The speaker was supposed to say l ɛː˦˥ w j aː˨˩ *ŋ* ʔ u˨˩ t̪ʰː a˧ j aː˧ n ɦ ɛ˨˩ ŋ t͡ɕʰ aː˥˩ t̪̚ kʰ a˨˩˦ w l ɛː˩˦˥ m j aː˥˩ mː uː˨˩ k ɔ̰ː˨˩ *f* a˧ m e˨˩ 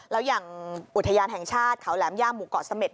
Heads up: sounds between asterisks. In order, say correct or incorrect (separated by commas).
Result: correct, incorrect